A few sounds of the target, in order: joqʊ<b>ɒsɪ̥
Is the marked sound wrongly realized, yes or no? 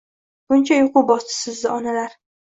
no